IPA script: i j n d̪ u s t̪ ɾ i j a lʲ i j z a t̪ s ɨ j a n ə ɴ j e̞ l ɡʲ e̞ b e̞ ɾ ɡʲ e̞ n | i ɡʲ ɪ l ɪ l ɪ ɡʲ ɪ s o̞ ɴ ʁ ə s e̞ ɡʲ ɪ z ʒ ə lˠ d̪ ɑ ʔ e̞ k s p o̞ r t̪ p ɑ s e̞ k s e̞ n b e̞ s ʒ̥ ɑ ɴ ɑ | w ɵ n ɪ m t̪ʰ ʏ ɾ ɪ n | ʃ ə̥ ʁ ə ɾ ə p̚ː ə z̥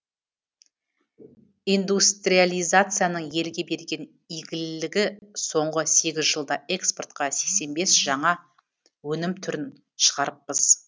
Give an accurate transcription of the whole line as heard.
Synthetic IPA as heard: i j n d̪ u s t̪ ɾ i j a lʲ i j z a t̪ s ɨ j a n ə ɴ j e̞ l ɡʲ e̞ b e̞ ɾ ɡʲ e̞ n | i ɡʲ ɪ l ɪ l ɪ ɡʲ ɪ s o̞ ɴ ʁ ə s e̞ ɡʲ ɪ z ʒ ə lˠ d̪ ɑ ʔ e̞ k s p o̞ r t̪ q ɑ s e̞ k s e̞ n b e̞ s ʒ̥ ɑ ɴ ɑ | w ɵ n ɪ m t̪ʰ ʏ ɾ ɪ n | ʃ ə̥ ʁ ɑ ɾ ə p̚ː ə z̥